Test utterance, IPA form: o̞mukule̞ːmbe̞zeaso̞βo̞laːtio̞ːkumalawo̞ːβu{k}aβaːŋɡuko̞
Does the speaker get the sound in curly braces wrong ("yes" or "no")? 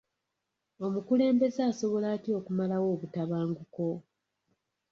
yes